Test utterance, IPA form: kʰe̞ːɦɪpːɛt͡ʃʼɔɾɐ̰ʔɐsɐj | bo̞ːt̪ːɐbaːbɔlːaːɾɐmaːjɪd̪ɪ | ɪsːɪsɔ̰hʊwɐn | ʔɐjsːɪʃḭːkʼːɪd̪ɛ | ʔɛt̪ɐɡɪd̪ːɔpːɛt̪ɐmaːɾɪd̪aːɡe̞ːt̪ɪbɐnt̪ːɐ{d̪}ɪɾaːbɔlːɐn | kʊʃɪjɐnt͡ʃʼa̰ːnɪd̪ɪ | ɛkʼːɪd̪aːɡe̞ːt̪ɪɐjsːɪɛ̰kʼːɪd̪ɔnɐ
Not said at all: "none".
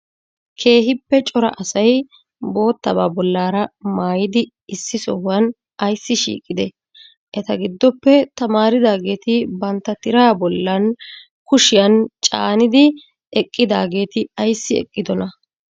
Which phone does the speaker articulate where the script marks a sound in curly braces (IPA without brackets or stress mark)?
t̪